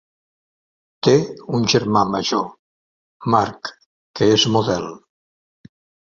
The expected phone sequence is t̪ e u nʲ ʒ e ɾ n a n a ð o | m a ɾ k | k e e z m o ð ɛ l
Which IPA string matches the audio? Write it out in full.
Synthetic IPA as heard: t̪ e u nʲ ʒ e ɾ m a m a ʒ o | m a ɾ k | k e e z m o ð ɛ l

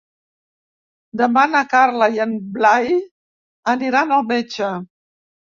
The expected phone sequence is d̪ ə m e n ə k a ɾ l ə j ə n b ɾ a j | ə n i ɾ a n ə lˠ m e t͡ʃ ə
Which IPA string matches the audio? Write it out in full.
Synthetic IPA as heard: d̪ ə m a n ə k a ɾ l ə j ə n b l a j | ə n i ɾ a n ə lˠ m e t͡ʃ ə

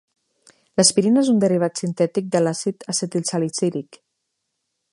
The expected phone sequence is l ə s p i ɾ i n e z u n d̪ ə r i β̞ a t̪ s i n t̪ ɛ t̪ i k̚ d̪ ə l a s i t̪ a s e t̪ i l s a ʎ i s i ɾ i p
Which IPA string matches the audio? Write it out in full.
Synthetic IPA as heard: l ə s p i ɾ i n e z u n d̪ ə r i β̞ a t̪ s i n t̪ ɛ t̪ i k̚ d̪ ə l a s i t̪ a s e t̪ i l s a l i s i ɾ i k

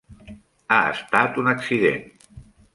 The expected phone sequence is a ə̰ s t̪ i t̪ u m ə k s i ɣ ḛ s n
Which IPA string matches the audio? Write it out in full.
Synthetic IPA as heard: a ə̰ s t̪ a t̪ u n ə k s i ð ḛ n

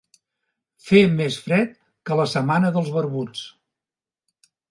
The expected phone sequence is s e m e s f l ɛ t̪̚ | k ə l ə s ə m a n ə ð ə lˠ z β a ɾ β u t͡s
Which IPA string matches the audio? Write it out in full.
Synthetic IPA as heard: f e m e s f ɾ ɛ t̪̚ | k ə l ə s ə m a n ə ð ə lˠ z β ə ɾ β u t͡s

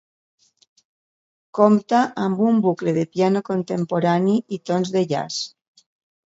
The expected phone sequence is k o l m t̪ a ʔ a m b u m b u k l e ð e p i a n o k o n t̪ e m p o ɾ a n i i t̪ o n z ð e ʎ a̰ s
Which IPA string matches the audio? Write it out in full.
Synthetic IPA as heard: k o m t̪ a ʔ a m b u m b u k l e ð e p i a n o k o n t̪ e m p o ɾ a n i i t̪ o n z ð e ʎ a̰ s

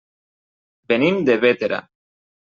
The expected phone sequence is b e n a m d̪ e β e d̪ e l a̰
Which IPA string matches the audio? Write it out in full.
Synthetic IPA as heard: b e n i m d̪ e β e t̪ e ɾ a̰

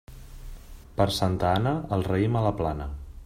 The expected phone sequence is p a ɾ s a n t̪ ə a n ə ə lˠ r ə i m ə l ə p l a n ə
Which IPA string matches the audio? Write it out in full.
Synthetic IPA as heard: p ə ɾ s a n t̪ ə a n ə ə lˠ r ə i m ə l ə p l a n ə

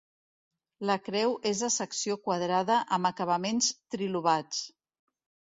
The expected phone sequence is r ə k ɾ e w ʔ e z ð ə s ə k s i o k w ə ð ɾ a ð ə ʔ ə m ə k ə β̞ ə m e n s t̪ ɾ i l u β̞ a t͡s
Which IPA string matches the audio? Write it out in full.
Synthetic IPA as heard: l ə k ɾ ɛ w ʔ e z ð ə s ə k s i o k w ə ð ɾ a ð ə ʔ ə m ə k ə β̞ ə m e n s t̪ ɾ i l u β̞ a t͡s

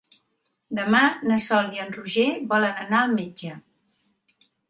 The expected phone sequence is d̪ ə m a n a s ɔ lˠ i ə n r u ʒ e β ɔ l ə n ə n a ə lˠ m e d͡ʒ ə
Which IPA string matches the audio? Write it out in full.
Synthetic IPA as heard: d̪ ə m a n ə s ɔ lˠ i ə n r u ʒ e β ɔ l ə n ə n a ə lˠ m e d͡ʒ ə

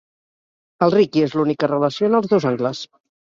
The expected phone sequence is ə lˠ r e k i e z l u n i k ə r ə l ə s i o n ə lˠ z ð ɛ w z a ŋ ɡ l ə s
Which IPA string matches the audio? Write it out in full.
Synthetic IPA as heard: ə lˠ r i k i e z l u n i k ə r ə l ə s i o n ə lˠ z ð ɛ w z a ŋ ɡ l ə s

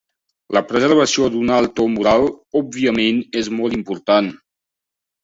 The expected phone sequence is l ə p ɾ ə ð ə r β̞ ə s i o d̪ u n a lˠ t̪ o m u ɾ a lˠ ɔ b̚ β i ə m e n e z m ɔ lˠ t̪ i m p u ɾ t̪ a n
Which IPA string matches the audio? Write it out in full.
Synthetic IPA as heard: l ə p ɾ ə z ə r β̞ ə s i o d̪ u n a lˠ t̪ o m u ɾ a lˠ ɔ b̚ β i ə m e n e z m ɔ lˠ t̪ i m p u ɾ t̪ a n

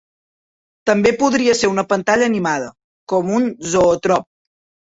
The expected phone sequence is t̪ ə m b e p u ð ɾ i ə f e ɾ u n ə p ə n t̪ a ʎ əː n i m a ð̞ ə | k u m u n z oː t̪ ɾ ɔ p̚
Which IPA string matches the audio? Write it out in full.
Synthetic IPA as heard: t̪ ə m b e p u ð ɾ i ə s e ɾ u n ə p ə n t̪ a ʎ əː n i m a ð̞ ə | k ɔ m u n z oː t̪ ɾ ɔ p̚

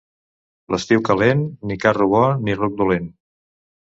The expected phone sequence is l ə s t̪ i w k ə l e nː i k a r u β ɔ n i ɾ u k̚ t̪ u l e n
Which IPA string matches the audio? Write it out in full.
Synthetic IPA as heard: l ə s t̪ i w k ə l e nː i k a r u β ɔ n i r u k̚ d̪ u l e n

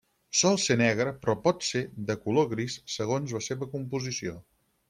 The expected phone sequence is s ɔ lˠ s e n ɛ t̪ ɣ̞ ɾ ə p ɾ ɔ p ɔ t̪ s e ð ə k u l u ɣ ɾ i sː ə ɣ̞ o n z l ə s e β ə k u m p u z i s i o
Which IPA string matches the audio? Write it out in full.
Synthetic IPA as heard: s ɔ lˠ s e n ɛ ɣ̞ ɾ ə p ɾ ɔ p ɔ t̪ s e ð ə k u l o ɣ ɾ i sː ə ɣ̞ o n z l ə s e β ə k u m p u z i s i o

